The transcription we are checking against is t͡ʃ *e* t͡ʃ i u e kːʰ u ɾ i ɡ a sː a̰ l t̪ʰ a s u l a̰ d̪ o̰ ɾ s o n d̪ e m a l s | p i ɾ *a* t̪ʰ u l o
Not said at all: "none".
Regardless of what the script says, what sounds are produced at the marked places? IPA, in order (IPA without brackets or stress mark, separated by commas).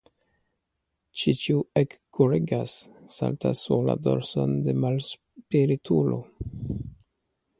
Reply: i, i